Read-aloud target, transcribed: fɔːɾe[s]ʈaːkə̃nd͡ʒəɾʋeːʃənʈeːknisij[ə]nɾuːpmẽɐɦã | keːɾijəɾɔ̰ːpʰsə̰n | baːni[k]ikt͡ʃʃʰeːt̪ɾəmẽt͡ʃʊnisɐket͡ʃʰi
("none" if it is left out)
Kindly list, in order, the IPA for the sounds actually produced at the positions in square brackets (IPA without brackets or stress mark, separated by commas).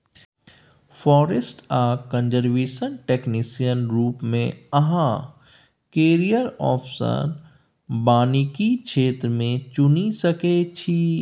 s, ə, k